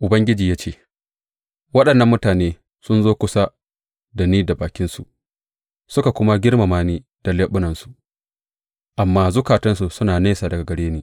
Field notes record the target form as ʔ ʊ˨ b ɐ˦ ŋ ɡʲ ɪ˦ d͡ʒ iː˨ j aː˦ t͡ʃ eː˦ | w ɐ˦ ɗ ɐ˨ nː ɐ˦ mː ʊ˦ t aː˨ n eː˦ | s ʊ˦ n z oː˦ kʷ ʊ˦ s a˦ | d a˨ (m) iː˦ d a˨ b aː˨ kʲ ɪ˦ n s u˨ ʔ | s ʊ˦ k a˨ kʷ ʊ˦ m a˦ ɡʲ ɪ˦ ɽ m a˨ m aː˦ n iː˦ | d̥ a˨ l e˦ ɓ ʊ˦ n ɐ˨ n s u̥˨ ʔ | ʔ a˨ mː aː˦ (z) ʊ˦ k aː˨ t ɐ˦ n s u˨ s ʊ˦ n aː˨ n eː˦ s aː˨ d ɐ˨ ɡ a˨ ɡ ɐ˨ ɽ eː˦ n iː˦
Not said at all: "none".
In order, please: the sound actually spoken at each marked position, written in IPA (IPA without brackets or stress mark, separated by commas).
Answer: n, z